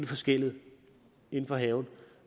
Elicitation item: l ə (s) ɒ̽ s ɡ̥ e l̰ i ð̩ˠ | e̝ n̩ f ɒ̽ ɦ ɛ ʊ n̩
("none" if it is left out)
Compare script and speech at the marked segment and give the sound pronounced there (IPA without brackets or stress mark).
f